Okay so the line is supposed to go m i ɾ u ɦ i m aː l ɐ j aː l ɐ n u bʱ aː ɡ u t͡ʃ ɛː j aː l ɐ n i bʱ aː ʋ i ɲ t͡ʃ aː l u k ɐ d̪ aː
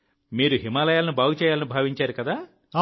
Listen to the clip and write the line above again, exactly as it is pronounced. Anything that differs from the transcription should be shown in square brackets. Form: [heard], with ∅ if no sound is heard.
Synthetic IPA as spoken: m [iː] ɾ u ɦ i m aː l ɐ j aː l ɐ n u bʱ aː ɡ u t͡ʃ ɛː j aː l ɐ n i bʱ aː ʋ i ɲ t͡ʃ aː [ɾ] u k ɐ d̪ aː